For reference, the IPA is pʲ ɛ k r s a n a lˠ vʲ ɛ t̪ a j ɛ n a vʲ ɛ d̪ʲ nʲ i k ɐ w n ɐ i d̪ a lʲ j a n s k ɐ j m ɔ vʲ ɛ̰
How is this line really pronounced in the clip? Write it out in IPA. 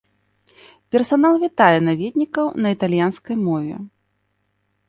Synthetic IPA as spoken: pʲ ɛ r s a n a lˠ vʲ i t̪ a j ɛ n a vʲ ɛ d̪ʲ nʲ i k ɐ w n ɐ i t̪ a lʲ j a n s k ɐ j m ɔ vʲ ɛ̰